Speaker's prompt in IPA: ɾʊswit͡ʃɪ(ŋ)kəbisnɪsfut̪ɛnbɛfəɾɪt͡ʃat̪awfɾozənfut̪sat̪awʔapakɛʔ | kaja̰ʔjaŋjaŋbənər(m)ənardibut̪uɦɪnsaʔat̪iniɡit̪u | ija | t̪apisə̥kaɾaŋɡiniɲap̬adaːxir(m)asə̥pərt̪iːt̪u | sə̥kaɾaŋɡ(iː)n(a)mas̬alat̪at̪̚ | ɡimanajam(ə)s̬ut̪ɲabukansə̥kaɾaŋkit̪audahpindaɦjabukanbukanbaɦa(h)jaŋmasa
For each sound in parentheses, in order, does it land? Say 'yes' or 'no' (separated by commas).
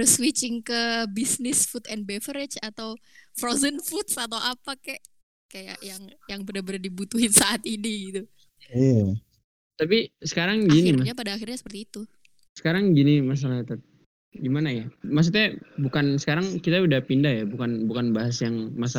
yes, no, no, no, no, no, no